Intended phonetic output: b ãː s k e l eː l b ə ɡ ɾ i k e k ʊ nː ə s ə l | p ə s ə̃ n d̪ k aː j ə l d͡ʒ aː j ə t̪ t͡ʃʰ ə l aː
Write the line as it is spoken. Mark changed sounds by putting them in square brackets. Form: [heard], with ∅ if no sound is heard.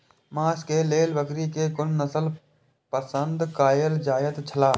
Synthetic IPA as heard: [m] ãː s k e l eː l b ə [k] ɾ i k e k ʊ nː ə s ə l | p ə s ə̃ n d̪ k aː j ə l d͡ʒ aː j ə t̪ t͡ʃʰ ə l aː